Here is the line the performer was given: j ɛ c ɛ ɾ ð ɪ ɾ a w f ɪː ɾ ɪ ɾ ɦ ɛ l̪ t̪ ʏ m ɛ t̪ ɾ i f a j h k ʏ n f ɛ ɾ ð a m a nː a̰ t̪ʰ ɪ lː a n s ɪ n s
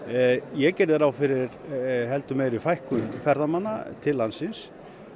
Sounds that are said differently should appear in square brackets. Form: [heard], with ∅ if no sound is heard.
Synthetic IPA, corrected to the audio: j ɛ c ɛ ɾ ð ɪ ɾ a w f [ɪ] ɾ ɪ ɾ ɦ ɛ l̪ t̪ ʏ m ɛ [∅] ɾ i f a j h k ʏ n f ɛ ɾ ð a m a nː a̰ t̪ʰ ɪ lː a n s ɪ n s